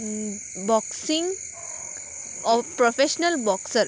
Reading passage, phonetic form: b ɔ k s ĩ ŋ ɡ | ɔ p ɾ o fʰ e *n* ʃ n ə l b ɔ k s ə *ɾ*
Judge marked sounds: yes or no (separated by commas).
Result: no, yes